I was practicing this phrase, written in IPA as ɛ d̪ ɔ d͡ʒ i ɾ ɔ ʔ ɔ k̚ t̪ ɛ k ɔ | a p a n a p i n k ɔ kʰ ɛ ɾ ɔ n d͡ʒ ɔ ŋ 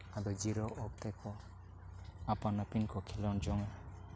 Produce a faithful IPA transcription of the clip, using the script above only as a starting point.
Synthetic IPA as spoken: a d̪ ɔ d͡ʒ i ɾ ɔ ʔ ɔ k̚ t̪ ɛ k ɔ | a p a n a p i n k ɔ kʰ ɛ l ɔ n d͡ʒ ɔ ŋ